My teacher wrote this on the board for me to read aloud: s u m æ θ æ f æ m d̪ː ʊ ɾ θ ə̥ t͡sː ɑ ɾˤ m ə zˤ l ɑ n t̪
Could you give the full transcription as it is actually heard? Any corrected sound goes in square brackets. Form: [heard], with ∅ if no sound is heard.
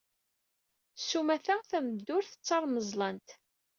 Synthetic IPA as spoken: s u m æ θ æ [θ] æ m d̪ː ʊ ɾ θ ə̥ t͡sː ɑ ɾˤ m ə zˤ l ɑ n t̪